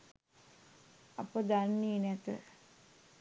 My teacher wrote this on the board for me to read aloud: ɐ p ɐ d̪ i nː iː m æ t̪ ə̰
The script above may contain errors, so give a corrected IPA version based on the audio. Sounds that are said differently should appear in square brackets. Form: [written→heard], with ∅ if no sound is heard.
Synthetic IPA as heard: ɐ p [ɐ→ə] d̪ [i→a] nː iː [m→n] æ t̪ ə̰